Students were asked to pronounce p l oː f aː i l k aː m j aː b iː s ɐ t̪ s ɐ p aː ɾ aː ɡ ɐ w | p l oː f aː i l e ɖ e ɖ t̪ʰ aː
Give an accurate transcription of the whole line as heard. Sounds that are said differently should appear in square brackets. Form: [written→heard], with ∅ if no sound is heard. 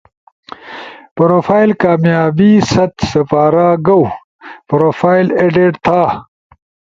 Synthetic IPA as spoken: p [l→ɾ] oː f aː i l k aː m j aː b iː s ɐ t̪ s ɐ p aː ɾ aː ɡ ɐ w | p [l→ɾ] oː f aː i l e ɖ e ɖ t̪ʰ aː